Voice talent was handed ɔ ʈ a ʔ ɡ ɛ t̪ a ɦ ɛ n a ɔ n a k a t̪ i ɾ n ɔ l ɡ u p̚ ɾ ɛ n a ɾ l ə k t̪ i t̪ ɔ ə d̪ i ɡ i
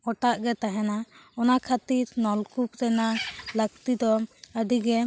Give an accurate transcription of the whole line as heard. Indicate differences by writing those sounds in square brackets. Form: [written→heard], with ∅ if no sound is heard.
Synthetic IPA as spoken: ɔ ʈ a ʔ ɡ ɛ t̪ a ɦ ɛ n a ɔ n a [k→kʰ] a t̪ i ɾ n ɔ l [ɡ→k] u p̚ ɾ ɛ n a [ɾ→∅] l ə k t̪ i [t̪→d̪] ɔ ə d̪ i ɡ [i→ɛ]